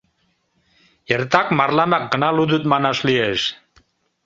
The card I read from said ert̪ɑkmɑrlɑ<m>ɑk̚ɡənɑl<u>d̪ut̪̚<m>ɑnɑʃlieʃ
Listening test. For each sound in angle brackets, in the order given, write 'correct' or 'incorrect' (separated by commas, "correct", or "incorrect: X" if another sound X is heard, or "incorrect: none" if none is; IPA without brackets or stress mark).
correct, correct, correct